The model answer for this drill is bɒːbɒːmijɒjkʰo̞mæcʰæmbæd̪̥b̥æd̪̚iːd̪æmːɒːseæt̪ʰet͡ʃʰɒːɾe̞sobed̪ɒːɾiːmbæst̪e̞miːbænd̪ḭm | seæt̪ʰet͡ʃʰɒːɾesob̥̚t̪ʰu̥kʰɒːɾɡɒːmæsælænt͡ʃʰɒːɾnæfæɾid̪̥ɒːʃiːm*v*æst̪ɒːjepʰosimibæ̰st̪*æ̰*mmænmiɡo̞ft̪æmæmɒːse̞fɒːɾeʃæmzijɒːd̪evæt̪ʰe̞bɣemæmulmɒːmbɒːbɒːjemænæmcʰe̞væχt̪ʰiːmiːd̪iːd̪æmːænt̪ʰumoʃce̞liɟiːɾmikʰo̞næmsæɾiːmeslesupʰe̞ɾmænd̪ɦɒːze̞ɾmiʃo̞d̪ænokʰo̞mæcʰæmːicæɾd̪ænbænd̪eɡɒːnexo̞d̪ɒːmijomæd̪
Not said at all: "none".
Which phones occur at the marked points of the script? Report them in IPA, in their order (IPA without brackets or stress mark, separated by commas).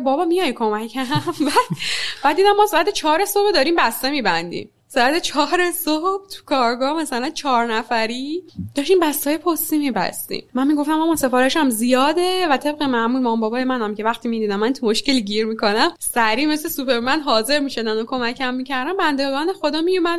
b, ḭ